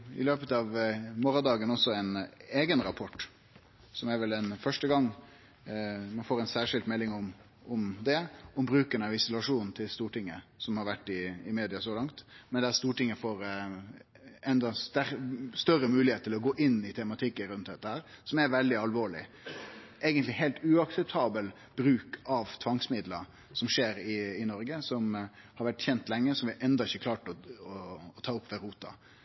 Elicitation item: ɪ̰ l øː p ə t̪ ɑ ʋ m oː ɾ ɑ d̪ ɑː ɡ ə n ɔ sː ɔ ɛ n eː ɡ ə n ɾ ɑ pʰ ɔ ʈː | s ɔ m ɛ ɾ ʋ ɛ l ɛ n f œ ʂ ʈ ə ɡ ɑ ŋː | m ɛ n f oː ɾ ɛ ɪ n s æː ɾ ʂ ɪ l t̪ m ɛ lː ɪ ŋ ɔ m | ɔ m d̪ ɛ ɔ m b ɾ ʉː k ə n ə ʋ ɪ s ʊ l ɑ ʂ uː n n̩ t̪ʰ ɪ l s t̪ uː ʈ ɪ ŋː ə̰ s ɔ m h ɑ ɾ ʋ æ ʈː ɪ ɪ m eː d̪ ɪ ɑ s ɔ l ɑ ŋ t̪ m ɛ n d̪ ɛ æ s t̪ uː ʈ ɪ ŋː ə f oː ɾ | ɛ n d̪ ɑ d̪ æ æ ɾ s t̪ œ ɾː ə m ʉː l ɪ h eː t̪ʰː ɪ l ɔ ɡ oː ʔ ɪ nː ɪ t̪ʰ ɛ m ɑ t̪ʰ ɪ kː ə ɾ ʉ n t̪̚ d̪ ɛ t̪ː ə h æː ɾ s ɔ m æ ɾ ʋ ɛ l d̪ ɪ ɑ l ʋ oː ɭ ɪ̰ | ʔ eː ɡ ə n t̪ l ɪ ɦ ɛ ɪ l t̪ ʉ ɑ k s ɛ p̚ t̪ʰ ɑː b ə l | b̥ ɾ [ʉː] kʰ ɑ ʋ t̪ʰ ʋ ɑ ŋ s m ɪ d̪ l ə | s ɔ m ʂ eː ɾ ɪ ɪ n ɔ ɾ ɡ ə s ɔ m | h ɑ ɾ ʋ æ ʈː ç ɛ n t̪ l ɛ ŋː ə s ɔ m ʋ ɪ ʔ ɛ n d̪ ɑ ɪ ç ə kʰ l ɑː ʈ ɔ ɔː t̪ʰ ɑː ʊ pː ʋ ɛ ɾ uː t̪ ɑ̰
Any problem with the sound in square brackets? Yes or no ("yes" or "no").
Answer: no